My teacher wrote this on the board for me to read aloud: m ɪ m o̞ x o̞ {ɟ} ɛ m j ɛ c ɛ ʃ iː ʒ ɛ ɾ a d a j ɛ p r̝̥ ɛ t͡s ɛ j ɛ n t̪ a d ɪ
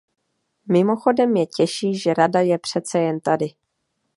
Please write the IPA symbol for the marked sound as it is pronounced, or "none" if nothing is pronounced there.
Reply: d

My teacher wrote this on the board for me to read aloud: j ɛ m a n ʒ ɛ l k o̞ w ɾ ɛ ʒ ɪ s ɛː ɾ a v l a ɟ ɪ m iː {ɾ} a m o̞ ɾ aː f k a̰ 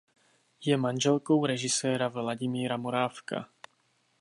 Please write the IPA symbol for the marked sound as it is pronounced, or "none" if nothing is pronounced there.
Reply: ɾ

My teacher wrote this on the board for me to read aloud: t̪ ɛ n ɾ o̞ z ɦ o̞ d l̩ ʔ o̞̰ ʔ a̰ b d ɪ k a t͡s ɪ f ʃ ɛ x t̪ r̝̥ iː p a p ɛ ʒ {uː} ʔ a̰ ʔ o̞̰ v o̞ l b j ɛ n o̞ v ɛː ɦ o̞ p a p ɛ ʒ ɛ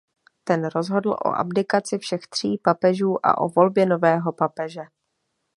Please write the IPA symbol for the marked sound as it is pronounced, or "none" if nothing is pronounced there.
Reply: uː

